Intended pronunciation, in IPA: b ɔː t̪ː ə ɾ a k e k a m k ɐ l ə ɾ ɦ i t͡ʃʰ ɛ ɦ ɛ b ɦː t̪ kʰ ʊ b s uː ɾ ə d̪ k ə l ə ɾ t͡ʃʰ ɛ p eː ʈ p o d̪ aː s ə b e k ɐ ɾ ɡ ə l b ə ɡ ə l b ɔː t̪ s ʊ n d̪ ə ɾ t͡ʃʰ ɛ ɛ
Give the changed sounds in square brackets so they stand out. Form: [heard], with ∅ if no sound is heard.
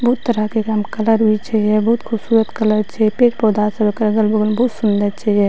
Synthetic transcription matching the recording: b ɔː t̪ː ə ɾ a k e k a m k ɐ l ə ɾ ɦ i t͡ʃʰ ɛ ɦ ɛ b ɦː t̪ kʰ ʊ b s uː ɾ ə [t̪] k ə l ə ɾ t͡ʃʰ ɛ p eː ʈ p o d̪ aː s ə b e k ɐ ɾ ɡ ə l b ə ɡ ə l b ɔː t̪ s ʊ n d̪ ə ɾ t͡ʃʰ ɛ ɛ